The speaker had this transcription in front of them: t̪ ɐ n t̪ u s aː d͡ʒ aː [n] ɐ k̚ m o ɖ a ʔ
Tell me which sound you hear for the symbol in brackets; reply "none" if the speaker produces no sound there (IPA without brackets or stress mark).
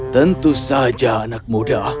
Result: n